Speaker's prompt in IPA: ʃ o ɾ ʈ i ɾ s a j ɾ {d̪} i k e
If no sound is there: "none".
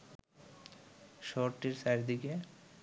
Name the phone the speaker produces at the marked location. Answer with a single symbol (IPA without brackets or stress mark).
d̪